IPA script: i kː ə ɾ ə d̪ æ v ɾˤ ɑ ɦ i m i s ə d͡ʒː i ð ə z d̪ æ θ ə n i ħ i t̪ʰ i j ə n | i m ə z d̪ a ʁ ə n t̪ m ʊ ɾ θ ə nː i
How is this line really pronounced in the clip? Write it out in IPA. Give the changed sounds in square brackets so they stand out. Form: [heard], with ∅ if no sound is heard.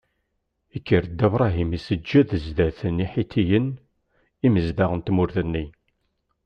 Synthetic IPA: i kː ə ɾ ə d̪ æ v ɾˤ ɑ ɦ i m i s ə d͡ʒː [æ] ð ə z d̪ æ θ ə n i ħ i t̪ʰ i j ə n | i m ə z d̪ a ʁ ə n t̪ m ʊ ɾ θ ə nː i